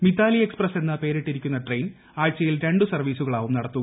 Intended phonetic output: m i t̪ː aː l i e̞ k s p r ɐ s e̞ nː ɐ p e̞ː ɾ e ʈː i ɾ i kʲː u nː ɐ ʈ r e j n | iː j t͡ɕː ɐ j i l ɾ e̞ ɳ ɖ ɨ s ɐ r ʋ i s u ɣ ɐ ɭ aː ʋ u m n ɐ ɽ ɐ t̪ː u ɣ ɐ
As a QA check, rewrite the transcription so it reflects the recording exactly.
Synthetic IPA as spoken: m i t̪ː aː l i e̞ k s p r ɐ s e̞ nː ɐ p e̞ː ɾ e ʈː i ɾ i kʲː u nː ɐ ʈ r e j n | aː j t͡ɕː ɐ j i l ɾ e̞ ɳ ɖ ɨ s ɐ r ʋ iː s u ɣ ɐ ɭ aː ʋ u m n ɐ ɽ ɐ t̪ː u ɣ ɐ